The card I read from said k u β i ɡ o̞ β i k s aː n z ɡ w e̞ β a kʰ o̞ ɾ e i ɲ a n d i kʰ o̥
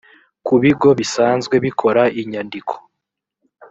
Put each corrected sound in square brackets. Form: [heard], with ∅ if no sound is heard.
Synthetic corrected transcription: k u β i ɡ o̞ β i [∅] s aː n z ɡ w e̞ β [i] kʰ o̞ ɾ [a] i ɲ a n d i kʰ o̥